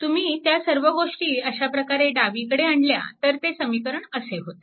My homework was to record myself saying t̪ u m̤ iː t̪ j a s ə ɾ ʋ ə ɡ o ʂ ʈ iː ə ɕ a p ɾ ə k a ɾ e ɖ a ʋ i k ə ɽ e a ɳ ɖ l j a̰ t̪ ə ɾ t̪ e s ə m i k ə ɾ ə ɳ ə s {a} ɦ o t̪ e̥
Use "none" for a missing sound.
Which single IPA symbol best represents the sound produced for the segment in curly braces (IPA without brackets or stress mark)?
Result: e